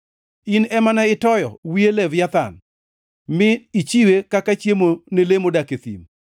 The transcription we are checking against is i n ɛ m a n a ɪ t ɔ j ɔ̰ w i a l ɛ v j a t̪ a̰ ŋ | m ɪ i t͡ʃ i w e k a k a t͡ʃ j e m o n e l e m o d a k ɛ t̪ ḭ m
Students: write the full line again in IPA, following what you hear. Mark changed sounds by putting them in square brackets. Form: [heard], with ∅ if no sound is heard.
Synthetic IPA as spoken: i n ɛ m a n a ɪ t ɔ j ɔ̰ w i [e] l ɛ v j a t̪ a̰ [n] | m ɪ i t͡ʃ i w e k a k a t͡ʃ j e m o n e l e m o d a k [e] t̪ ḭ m